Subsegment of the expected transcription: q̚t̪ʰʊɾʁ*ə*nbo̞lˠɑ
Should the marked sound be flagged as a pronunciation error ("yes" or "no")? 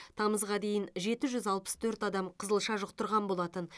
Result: yes